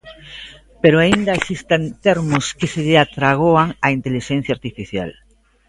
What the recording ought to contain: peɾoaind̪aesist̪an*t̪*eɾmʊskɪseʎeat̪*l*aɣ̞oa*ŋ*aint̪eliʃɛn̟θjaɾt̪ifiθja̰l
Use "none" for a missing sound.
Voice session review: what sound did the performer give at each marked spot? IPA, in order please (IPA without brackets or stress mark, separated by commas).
t̪, ɾ, ŋ